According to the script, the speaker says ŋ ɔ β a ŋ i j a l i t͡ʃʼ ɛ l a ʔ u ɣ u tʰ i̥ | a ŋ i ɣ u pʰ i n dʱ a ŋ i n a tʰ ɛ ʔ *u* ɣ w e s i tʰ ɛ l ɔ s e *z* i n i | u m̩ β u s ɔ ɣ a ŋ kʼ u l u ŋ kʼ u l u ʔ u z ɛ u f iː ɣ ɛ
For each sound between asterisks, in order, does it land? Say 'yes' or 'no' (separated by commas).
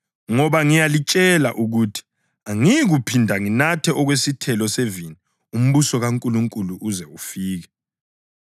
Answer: no, no